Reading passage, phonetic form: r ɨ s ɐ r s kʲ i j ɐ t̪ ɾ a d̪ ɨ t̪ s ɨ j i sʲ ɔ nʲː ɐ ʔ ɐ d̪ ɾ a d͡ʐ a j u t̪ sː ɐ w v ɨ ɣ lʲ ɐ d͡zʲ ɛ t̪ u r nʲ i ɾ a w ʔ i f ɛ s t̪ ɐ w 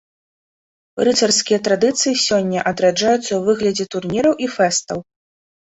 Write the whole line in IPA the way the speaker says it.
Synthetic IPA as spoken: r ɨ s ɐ r s kʲ i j ɐ t̪ ɾ a d̪ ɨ t̪ s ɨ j i sʲ ɔ nʲː ɐ ʔ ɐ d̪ ɾ a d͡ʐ a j u t̪ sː ɐ w v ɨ ɣ lʲ ɐ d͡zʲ ɛ t̪ u r nʲ i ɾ ɐ w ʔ i f ɛ s t̪ ɐ w